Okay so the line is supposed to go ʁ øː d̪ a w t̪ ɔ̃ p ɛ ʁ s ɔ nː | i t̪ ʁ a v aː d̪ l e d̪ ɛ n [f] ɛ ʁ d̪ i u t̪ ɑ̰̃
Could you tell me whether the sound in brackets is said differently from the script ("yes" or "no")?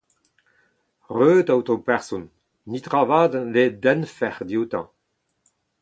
no